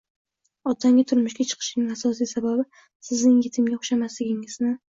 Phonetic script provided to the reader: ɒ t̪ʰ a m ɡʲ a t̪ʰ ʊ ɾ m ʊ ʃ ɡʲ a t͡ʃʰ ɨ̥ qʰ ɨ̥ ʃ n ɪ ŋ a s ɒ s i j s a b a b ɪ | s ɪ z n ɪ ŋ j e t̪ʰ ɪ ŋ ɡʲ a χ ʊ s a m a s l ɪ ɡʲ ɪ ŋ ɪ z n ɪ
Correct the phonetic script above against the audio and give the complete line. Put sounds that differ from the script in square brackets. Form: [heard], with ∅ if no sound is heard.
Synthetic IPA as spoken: ɒ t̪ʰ a [ŋ] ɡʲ a t̪ʰ ʊ ɾ m ʊ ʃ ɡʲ a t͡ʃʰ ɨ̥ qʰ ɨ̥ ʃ n ɪ ŋ a s ɒ s i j s a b a b ɪ | s ɪ z n ɪ ŋ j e t̪ʰ ɪ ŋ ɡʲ a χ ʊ [ʃ] a m a s l ɪ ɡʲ ɪ ŋ ɪ z n ɪ